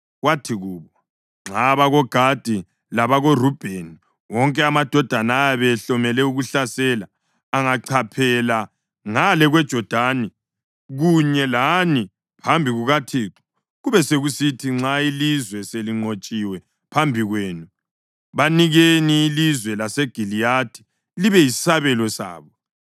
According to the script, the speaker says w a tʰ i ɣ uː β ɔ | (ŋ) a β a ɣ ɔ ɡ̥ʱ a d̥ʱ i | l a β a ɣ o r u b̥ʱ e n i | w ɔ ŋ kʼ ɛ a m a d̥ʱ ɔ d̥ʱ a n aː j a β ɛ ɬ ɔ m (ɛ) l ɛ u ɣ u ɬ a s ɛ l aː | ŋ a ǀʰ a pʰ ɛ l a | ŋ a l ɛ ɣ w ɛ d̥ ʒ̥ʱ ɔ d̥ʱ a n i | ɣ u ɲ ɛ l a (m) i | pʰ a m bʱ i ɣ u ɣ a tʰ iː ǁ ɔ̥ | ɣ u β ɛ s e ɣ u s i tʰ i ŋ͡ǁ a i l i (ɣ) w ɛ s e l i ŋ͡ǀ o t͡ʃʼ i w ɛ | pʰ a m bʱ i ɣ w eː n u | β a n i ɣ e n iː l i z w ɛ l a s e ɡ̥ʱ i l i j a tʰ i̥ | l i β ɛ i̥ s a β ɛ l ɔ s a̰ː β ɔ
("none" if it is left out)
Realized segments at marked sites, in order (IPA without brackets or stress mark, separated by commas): ŋ͡ǁ, ɛ, n, z